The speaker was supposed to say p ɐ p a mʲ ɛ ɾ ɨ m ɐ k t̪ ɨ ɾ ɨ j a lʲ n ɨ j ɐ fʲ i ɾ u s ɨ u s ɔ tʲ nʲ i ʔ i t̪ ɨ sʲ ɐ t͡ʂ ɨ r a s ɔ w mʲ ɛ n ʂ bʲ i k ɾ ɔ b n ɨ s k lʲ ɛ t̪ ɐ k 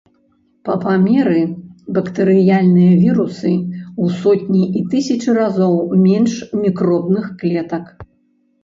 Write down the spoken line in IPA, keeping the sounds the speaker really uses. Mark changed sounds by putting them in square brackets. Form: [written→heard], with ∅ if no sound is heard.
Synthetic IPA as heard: p ɐ p a mʲ ɛ ɾ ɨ [m→b] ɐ k t̪ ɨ ɾ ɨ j a lʲ n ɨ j ɐ [fʲ→vʲ] i ɾ u s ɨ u s ɔ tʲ nʲ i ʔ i t̪ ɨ sʲ ɐ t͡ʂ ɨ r a [s→z] ɔ w mʲ ɛ n ʂ [bʲ→mʲ] i k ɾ ɔ b n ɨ [s→x] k lʲ ɛ t̪ ɐ k